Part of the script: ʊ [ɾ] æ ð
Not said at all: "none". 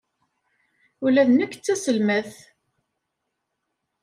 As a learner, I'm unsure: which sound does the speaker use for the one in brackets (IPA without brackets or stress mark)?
l